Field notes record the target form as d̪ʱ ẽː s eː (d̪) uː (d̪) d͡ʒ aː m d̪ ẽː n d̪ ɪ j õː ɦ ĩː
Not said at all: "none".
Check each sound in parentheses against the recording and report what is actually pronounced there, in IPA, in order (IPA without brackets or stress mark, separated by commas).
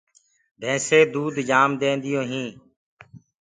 d̪, d̪